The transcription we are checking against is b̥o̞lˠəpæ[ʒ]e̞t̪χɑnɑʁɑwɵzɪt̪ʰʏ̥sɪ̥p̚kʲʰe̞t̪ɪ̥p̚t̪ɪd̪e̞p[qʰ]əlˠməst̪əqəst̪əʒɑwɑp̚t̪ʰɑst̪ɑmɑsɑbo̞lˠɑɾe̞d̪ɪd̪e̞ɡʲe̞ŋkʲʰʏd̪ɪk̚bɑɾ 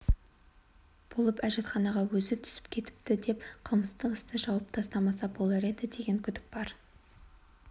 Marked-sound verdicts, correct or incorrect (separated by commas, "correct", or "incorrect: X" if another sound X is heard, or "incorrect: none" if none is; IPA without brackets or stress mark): correct, correct